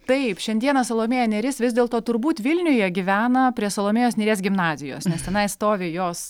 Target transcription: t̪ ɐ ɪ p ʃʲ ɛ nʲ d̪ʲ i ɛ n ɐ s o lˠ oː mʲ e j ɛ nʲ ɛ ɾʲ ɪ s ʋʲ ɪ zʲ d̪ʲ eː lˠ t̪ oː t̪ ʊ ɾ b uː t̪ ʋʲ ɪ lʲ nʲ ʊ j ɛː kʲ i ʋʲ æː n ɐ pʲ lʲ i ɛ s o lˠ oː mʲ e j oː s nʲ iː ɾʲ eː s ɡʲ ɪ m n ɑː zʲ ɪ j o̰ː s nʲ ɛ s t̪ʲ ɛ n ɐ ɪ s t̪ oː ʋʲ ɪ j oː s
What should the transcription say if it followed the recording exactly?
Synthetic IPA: t̪ ɐ ɪ p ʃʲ ɛ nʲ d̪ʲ i ɛ n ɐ s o lˠ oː mʲ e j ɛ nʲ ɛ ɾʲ ɪ s ʋʲ ɪ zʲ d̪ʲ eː lˠ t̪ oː t̪ ʊ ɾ b uː t̪ ʋʲ ɪ lʲ nʲ ʊ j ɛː ɡʲ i ʋʲ æː n ɐ pʲ ɾʲ i ɛ s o lˠ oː mʲ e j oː s nʲ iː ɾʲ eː s ɡʲ ɪ m n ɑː zʲ ɪ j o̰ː s nʲ ɛ s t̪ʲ ɛ n ɐ ɪ s t̪ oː ʋʲ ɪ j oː s